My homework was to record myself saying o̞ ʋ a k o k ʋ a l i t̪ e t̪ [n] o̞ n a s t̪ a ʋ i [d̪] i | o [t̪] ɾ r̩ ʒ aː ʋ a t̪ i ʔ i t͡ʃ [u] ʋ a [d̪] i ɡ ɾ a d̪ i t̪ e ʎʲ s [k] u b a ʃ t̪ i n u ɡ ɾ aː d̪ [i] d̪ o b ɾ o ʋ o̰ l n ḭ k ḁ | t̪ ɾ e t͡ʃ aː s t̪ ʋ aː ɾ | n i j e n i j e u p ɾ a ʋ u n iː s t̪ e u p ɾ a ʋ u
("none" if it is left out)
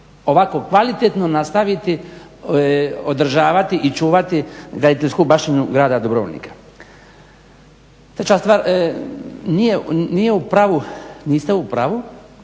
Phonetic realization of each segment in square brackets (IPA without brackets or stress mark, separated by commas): n, t̪, d̪, uː, t̪, k, a